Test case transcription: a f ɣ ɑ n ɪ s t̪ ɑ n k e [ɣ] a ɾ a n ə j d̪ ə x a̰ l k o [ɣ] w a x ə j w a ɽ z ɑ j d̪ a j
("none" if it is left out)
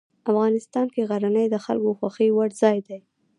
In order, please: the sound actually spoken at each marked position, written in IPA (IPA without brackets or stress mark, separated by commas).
ɣ, x